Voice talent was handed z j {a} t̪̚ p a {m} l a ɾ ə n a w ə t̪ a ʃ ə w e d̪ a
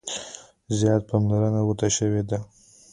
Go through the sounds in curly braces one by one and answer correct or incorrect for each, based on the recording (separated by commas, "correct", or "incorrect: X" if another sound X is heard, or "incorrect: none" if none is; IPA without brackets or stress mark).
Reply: incorrect: ɑ, correct